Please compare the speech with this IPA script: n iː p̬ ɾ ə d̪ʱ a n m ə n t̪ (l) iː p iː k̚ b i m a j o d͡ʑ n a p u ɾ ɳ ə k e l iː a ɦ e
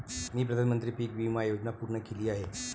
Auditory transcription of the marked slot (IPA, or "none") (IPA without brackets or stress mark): ɾ